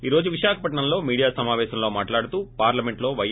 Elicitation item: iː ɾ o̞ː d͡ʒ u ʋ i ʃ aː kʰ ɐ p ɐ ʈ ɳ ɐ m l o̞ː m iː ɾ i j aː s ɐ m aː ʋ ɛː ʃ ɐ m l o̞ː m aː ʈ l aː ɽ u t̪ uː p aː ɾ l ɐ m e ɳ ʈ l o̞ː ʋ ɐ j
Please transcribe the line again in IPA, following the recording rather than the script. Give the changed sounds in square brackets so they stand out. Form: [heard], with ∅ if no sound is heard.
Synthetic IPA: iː ɾ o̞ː d͡ʒ u ʋ i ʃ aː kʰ ɐ p ɐ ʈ ɳ ɐ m l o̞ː m iː [ɽ] i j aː s ɐ m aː ʋ ɛː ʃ ɐ m l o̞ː m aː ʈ l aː ɽ u t̪ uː p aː ɾ l ɐ m e ɳ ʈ l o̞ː ʋ ɐ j